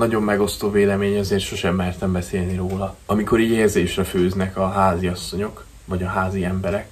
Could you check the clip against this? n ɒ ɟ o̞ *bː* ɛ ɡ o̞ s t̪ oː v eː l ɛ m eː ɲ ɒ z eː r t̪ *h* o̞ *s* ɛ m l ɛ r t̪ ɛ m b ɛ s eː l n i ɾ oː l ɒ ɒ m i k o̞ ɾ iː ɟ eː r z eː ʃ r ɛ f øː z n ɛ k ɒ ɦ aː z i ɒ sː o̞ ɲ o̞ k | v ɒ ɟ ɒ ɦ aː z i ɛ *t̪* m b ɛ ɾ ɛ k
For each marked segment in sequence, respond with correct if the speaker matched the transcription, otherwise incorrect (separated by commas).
incorrect, incorrect, incorrect, incorrect